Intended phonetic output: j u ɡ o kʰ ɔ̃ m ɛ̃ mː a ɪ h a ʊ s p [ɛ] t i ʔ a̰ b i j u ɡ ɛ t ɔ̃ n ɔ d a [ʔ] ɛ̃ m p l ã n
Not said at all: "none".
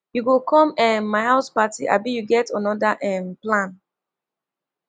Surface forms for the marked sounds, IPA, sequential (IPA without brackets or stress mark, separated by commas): a, ʔ